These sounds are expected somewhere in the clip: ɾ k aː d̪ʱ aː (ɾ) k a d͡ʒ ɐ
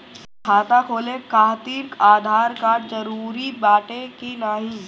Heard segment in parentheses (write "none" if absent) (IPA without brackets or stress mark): ɾ